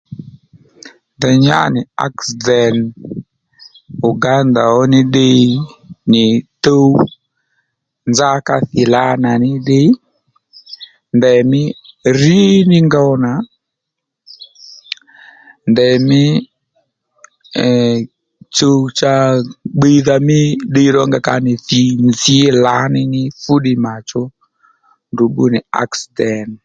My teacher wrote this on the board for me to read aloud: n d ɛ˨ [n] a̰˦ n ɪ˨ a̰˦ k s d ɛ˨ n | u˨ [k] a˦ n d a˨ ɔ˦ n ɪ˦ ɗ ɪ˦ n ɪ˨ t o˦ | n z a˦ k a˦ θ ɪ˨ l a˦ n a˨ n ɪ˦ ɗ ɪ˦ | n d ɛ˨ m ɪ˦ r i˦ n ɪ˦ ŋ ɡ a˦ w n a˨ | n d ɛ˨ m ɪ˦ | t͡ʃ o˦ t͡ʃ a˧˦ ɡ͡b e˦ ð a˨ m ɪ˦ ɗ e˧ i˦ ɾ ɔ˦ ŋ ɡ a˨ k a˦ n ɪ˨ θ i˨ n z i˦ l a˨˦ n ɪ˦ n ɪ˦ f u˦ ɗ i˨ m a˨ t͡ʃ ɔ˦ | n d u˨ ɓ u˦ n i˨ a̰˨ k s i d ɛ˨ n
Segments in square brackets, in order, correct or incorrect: incorrect: ɲ, incorrect: ɡ

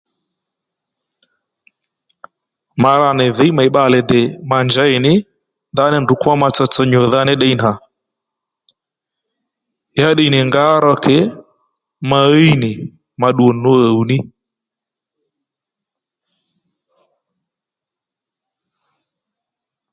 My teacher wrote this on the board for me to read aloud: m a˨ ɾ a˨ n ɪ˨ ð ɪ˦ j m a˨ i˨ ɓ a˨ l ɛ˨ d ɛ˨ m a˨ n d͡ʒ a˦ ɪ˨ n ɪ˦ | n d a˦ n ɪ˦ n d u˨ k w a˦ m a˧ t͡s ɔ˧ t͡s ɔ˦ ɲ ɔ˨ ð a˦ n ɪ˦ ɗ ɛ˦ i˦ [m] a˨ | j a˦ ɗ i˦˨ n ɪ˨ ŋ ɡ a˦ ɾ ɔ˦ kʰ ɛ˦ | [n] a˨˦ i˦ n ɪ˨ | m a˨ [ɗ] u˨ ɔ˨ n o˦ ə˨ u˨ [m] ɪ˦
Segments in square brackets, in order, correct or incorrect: incorrect: n, incorrect: m, correct, incorrect: n

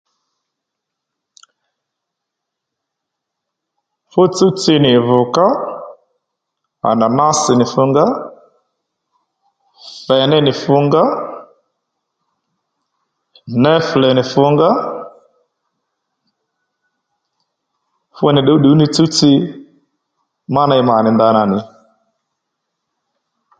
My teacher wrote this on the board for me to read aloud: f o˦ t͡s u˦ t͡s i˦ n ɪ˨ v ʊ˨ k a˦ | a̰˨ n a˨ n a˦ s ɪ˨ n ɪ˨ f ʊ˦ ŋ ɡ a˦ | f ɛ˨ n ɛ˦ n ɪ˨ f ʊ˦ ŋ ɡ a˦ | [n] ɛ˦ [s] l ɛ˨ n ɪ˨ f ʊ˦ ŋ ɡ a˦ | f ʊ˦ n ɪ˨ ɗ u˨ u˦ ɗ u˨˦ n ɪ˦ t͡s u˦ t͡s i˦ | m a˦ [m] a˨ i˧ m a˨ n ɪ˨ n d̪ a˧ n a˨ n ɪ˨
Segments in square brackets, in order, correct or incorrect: correct, incorrect: f, incorrect: n

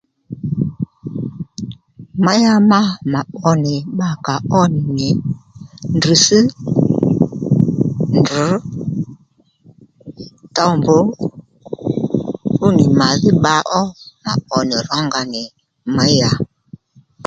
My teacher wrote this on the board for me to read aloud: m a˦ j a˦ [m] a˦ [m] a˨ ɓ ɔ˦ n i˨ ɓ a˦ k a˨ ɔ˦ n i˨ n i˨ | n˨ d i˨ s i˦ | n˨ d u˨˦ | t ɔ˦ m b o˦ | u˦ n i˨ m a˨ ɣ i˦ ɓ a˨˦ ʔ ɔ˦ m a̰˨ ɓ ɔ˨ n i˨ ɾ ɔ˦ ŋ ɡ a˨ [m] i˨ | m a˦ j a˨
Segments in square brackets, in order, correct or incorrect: correct, correct, incorrect: n

